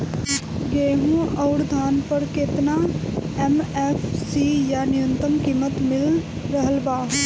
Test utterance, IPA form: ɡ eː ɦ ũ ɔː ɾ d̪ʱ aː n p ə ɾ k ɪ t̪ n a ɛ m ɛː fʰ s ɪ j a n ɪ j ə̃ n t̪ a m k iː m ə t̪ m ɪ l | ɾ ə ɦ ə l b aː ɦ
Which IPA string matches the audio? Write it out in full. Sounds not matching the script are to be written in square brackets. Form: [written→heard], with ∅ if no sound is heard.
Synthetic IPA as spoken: ɡ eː ɦ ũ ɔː ɾ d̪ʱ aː n p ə ɾ k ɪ t̪ n a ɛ m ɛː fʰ s [ɪ→i] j a n ɪ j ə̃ n t̪ [a→ə] m k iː m ə t̪ m ɪ l | ɾ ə ɦ ə l b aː ɦ